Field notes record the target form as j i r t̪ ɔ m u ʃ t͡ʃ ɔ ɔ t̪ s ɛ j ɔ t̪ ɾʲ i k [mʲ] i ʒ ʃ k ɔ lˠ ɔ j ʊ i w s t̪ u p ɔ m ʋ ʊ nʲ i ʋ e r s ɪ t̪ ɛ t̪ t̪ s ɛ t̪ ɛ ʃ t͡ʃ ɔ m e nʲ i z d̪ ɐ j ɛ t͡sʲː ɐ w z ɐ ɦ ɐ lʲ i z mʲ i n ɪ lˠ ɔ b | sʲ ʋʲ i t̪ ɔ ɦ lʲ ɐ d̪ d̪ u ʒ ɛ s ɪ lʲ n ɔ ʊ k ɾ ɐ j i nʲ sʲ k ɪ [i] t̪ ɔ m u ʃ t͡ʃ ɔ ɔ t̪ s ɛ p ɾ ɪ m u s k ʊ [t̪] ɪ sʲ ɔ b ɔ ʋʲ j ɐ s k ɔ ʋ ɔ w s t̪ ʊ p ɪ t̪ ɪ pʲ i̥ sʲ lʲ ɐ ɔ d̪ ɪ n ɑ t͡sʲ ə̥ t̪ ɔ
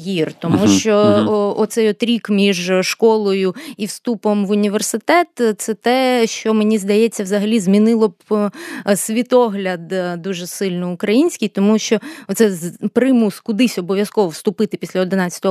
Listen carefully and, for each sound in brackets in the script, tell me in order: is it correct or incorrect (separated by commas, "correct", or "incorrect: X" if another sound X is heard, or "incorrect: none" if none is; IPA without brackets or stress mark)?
correct, incorrect: j, incorrect: d̪